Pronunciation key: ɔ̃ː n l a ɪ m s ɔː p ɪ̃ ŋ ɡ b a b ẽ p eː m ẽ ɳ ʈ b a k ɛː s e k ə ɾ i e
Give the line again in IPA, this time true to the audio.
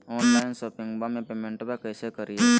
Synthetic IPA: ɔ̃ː n l a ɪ n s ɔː p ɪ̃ ŋ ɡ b a m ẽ p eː m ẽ ɳ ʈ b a k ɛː s e k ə ɾ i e